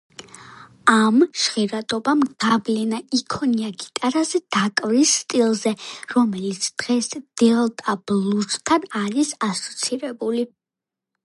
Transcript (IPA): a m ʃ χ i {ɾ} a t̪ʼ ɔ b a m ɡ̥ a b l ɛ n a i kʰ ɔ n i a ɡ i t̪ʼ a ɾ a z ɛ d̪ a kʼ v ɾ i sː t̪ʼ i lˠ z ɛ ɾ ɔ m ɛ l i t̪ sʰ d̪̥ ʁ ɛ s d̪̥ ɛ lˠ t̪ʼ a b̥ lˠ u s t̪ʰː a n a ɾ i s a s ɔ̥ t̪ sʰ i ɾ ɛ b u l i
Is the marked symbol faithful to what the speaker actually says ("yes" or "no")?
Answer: yes